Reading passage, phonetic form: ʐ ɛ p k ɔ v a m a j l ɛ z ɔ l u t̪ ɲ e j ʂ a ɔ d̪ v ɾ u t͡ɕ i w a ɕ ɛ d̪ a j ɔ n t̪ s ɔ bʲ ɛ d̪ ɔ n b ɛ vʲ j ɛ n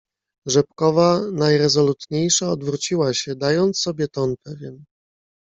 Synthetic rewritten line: ʐ ɛ p k ɔ v a n a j ɾ ɛ z ɔ l u t̪ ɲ e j ʂ a ɔ d̪ v ɾ u t͡ɕ i w a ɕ ɛ d̪ a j ɔ n t̪ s ɔ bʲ ɛ t̪ ɔ n p ɛ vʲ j ɛ n